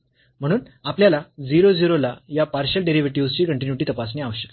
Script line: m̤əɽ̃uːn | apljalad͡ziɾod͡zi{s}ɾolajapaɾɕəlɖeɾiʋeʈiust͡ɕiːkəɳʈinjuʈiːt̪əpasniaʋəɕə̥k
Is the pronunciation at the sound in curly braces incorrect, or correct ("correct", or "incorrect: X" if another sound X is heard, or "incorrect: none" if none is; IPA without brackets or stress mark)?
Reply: incorrect: none